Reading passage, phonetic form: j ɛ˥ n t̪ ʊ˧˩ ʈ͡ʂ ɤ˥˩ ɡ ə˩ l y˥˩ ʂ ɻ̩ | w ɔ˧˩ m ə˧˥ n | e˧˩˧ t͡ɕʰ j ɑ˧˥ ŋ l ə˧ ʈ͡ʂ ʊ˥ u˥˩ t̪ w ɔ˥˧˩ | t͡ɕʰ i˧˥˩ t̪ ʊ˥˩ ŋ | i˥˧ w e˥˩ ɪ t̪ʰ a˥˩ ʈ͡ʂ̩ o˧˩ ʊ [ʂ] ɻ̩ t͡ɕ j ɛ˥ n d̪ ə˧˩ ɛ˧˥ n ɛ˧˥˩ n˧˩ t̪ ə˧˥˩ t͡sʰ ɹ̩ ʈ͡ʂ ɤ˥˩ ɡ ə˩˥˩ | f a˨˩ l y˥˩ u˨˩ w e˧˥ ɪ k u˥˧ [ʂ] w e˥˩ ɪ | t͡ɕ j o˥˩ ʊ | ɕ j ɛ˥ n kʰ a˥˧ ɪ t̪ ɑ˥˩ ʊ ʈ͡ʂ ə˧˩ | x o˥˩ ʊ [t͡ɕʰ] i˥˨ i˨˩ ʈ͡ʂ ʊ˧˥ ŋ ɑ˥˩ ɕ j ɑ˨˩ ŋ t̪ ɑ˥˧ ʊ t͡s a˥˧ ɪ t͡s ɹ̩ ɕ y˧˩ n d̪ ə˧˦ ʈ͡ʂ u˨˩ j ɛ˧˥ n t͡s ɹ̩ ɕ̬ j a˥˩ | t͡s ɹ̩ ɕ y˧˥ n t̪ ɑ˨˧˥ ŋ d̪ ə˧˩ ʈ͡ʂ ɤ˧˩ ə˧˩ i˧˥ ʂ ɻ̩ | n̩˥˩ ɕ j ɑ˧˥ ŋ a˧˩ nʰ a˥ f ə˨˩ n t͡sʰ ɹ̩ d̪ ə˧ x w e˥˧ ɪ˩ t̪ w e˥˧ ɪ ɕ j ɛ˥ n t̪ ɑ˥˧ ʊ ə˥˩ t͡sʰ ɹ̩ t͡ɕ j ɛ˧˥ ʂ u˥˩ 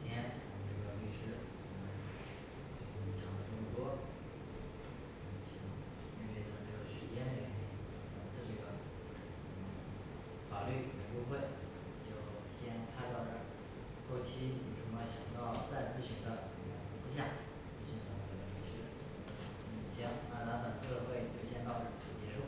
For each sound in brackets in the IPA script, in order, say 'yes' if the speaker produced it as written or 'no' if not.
yes, no, yes

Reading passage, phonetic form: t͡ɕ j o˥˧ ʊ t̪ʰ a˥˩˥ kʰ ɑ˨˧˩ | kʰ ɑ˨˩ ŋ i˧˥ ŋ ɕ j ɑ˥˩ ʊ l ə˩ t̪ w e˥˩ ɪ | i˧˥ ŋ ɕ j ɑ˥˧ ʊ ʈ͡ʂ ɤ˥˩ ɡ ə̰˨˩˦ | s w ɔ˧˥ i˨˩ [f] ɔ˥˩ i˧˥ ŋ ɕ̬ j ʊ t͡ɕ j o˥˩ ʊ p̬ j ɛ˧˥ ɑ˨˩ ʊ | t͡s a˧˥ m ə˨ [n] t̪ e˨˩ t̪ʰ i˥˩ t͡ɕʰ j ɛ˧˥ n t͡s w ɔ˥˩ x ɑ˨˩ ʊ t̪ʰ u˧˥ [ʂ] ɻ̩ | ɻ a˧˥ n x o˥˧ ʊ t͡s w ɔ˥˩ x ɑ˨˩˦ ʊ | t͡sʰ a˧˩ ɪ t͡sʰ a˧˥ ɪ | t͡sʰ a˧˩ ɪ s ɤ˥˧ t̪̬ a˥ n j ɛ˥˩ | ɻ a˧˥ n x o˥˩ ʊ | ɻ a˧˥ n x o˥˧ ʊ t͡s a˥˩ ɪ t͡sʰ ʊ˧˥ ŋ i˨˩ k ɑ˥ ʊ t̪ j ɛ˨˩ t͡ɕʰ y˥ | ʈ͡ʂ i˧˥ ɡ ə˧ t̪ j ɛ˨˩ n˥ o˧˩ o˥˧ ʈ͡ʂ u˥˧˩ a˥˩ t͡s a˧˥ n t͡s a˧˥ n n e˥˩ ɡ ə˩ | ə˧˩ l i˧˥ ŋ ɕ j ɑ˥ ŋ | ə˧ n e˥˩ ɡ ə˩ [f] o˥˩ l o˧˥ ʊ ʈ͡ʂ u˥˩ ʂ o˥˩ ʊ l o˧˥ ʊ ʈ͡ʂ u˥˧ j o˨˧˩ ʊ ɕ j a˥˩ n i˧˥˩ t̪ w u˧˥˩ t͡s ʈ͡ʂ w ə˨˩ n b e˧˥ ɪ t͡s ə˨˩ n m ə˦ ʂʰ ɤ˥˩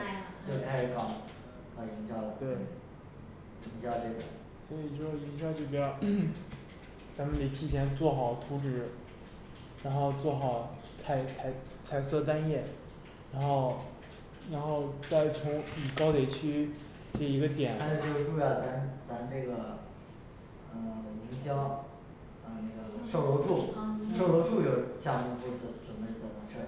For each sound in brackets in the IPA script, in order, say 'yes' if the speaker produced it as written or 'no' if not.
no, yes, no, no

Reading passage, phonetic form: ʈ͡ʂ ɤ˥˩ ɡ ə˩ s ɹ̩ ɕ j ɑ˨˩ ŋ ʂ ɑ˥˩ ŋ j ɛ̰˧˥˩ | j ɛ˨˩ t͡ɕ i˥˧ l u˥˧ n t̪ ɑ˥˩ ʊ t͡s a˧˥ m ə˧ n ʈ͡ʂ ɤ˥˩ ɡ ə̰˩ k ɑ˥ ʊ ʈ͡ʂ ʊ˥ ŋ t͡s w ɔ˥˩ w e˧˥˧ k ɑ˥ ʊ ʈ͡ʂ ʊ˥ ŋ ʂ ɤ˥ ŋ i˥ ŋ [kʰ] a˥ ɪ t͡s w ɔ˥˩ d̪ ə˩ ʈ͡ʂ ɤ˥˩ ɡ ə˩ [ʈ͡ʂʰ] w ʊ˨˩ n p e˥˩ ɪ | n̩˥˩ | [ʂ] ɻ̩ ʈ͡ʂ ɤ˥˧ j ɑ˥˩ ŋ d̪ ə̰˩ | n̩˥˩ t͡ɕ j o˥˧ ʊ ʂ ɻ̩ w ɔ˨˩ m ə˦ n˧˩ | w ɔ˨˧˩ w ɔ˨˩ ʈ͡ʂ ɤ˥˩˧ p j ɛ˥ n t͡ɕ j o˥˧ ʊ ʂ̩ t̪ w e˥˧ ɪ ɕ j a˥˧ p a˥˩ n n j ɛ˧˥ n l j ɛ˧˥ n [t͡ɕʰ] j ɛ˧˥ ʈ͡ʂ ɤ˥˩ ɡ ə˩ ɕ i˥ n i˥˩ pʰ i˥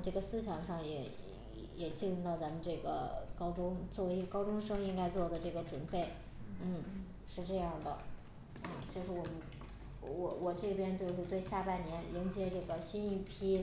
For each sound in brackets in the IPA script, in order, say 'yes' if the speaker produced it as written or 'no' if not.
no, no, yes, no

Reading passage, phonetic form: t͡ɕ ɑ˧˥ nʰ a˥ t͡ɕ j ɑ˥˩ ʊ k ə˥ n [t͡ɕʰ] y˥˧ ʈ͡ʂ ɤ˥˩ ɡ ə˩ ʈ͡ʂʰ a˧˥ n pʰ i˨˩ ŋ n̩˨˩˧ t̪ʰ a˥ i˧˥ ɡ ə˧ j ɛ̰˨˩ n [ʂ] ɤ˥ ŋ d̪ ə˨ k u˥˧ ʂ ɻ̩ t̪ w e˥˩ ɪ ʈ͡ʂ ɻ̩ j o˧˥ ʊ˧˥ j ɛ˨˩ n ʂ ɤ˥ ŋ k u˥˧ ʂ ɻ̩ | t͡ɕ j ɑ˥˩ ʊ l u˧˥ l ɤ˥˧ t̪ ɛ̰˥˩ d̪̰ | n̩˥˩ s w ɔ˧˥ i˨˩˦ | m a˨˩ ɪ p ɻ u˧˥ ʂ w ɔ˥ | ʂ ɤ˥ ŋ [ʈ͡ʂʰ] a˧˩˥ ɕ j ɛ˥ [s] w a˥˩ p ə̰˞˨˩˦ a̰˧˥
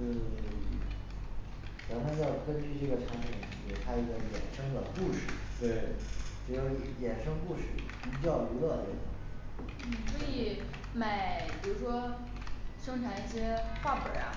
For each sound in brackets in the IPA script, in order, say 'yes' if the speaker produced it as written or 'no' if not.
no, yes, yes, no

